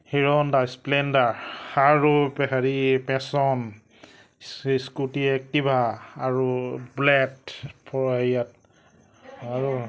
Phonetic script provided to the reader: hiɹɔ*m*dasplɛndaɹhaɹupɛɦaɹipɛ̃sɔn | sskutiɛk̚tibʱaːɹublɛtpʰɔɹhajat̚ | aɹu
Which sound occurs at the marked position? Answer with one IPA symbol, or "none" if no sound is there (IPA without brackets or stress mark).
n